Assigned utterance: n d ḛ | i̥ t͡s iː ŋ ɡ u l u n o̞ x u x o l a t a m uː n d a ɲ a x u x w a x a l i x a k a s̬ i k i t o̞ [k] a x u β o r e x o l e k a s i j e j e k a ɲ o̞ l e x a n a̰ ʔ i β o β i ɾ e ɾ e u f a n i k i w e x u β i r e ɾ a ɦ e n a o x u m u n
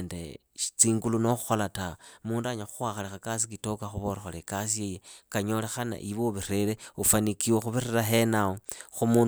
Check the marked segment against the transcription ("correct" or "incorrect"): correct